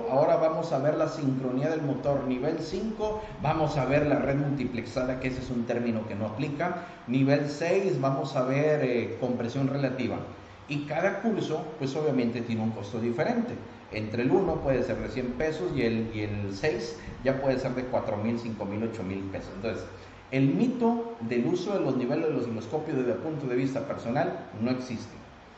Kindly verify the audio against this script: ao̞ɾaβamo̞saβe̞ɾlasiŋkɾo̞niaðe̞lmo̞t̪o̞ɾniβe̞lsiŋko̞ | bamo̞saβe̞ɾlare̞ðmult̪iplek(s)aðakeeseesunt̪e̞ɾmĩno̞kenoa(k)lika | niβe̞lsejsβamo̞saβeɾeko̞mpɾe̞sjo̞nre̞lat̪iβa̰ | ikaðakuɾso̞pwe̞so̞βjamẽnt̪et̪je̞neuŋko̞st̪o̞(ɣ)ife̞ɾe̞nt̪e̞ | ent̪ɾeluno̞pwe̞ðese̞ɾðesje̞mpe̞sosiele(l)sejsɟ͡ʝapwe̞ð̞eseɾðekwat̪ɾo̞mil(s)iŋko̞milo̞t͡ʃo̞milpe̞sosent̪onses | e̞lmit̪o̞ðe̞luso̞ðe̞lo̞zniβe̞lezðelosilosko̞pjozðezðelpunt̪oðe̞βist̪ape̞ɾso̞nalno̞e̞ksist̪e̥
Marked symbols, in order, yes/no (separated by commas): yes, no, no, yes, yes